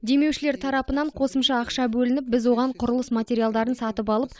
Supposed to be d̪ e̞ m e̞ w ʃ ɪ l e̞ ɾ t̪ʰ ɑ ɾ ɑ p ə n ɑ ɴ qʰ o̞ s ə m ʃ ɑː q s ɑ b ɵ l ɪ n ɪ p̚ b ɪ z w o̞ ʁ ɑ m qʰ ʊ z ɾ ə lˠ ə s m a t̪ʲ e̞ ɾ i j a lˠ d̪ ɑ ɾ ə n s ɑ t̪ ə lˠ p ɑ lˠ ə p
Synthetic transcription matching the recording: d̪ e̞ m e̞ w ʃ ɪ l e̞ ɾ t̪ʰ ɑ ɾ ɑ p ə n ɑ ɴ qʰ o̞ s ə m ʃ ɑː q ʃ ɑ b ɵ l ɪ n ɪ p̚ b ɪ z w o̞ ʁ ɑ ɴ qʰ ʊ ɾ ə lˠ ə s m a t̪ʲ e̞ ɾ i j a lˠ d̪ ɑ ɾ ə n s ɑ t̪ ə p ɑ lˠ ə p